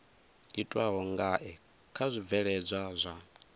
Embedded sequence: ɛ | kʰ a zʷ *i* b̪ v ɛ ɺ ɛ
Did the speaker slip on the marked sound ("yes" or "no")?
no